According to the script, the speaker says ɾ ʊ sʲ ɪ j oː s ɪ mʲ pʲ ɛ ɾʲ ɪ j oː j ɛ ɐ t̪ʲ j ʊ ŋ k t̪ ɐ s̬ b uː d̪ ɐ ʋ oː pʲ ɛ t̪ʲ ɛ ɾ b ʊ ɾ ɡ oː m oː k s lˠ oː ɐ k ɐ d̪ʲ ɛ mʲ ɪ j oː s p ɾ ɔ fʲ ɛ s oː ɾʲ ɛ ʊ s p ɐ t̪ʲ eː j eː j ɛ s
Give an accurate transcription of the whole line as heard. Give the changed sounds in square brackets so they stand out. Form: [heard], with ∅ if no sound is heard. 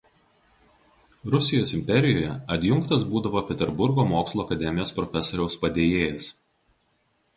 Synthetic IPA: ɾ ʊ sʲ ɪ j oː s ɪ mʲ pʲ ɛ ɾʲ ɪ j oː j ɛ ɐ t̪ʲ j ʊ ŋ k t̪ ɐ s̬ b uː d̪ ɐ ʋ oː pʲ ɛ t̪ʲ ɛ ɾ b ʊ ɾ ɡ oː m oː k s lˠ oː ɐ k ɐ d̪ʲ ɛ mʲ ɪ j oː s p ɾ ɔ fʲ ɛ s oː ɾʲ ɛ ʊ s p ɐ [d̪ʲ] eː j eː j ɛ s